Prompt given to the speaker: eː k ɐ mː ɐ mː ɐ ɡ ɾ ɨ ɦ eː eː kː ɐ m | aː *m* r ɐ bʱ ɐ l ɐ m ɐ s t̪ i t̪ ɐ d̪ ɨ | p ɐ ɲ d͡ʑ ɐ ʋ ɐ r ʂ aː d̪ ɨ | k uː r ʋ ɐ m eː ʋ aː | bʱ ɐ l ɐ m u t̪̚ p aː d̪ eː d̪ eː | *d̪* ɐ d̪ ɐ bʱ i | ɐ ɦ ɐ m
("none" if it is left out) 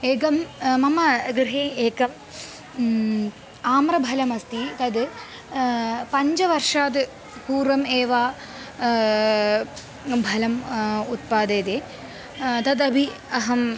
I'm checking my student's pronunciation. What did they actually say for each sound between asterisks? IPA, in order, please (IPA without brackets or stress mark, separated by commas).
m, t̪